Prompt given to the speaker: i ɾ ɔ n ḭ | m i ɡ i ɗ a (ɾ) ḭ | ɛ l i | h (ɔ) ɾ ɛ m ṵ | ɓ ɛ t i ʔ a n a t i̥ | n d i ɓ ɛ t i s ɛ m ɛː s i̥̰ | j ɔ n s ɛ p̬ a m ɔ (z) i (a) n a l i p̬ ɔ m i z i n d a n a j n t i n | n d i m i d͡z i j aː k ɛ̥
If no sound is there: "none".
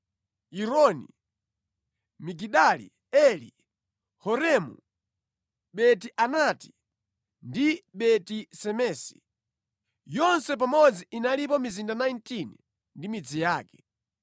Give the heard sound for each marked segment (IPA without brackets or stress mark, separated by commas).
l, ɔ, d͡z, i